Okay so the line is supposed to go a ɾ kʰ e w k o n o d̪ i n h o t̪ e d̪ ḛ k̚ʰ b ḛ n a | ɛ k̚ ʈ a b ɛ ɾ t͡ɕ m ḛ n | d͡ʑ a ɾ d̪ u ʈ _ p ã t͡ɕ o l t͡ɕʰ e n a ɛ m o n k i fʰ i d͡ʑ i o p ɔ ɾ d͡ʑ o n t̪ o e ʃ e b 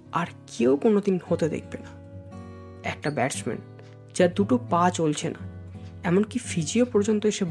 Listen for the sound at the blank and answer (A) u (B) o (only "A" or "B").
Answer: B